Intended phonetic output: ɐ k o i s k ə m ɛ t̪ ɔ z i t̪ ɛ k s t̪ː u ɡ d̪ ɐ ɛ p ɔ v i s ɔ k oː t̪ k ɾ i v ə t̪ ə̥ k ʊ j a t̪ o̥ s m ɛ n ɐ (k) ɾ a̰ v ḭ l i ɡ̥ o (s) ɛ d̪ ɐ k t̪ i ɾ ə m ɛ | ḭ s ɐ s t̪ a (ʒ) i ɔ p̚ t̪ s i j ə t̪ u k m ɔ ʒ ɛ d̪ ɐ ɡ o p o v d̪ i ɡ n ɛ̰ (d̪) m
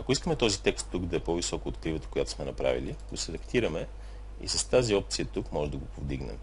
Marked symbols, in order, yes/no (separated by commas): no, yes, no, no